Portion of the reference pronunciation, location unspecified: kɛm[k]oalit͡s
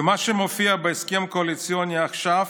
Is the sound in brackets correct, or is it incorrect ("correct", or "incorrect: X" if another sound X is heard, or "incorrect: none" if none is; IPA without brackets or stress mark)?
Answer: correct